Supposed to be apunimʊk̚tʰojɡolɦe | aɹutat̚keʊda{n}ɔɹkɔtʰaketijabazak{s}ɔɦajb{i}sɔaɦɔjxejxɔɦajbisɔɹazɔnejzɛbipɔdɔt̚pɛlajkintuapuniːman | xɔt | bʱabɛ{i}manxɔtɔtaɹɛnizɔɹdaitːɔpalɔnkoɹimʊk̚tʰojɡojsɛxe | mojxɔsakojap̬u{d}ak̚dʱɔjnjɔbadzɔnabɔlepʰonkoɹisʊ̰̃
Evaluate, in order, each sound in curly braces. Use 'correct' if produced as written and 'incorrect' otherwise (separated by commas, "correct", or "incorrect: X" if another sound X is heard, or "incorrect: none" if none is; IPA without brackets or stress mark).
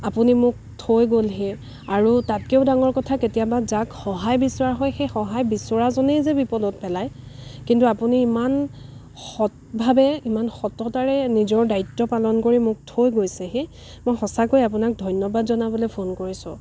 incorrect: ŋ, incorrect: x, correct, correct, incorrect: n